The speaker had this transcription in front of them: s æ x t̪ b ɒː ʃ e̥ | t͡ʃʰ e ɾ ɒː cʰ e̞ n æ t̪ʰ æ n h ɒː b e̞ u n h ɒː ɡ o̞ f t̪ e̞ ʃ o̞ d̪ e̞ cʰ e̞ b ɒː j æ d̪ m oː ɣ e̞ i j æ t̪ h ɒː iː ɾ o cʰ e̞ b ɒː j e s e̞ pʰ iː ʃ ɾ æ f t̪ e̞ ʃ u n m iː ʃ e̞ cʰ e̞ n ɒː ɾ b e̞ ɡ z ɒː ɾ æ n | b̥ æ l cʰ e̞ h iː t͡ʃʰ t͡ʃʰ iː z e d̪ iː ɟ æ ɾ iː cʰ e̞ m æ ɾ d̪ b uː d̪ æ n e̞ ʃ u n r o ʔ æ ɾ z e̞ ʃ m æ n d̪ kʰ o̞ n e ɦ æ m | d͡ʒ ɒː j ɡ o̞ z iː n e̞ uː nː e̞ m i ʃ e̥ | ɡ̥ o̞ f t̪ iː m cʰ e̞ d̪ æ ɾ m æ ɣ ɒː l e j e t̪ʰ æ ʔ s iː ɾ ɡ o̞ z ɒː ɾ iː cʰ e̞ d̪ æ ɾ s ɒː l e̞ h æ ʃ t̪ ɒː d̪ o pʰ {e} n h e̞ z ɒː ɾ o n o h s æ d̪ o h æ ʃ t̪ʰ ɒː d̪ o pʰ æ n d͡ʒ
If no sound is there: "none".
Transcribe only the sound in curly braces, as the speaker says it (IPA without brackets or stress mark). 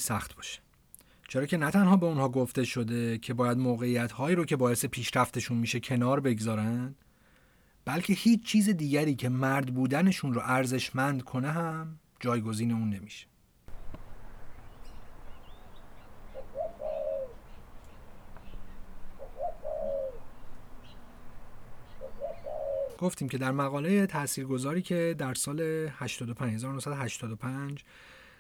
æ